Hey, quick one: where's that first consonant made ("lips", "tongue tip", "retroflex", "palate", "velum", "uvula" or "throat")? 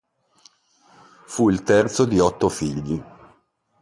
lips